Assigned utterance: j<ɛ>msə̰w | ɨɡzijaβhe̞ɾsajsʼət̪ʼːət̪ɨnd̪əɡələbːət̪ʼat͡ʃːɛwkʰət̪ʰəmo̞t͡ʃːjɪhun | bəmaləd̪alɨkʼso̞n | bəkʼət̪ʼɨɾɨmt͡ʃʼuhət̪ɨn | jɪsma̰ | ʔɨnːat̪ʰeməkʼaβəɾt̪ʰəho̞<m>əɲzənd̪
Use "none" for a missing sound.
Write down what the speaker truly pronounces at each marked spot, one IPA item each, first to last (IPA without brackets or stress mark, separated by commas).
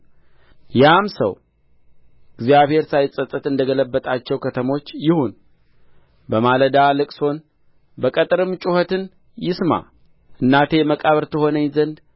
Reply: a, n